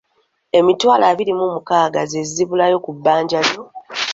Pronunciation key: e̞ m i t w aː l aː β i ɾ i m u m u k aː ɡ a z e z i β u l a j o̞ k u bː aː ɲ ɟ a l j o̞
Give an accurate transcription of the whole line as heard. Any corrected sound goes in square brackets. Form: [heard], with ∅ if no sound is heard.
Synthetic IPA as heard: e̞ m i t w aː l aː β i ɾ i m u m u k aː ɡ a z e z i β u l a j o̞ k u bː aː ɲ ɟ a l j o̞